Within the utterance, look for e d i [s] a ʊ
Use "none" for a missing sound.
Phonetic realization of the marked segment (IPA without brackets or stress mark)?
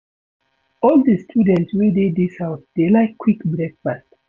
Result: s